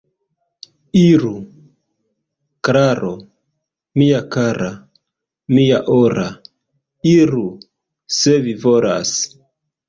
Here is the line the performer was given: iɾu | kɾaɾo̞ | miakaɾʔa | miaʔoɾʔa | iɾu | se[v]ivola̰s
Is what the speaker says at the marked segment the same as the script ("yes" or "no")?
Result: yes